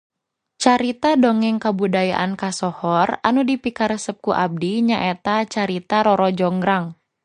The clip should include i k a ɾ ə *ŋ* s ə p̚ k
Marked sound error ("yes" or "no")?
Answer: yes